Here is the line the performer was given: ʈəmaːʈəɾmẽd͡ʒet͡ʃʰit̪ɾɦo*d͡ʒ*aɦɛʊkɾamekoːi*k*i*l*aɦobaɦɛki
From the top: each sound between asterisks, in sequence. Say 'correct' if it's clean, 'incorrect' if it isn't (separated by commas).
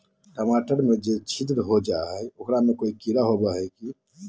correct, correct, incorrect